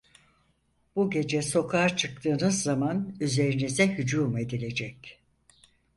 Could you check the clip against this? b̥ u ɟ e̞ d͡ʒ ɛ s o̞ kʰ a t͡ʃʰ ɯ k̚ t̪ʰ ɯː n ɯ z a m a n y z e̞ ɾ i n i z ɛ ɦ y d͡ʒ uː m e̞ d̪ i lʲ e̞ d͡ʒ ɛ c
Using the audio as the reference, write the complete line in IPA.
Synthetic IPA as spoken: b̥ u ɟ e̞ d͡ʒ ɛ s o̞ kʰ a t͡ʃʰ ɯ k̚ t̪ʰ ɯː n ɯ zː a m a n y z e̞ ɾ i n i z ɛ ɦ y d͡ʒ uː m e̞ d̪ i lʲ e̞ d͡ʒ ɛ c